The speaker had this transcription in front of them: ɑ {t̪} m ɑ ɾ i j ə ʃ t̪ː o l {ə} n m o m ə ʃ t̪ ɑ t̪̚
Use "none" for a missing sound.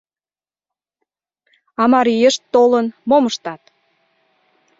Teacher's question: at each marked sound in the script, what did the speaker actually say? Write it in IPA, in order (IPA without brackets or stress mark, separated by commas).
none, ə